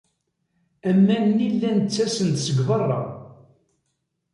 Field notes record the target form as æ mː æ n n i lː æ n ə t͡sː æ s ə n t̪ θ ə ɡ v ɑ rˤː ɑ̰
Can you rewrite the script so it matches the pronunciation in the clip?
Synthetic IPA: æ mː æ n n i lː æ n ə t͡sː æ s ə n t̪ s ə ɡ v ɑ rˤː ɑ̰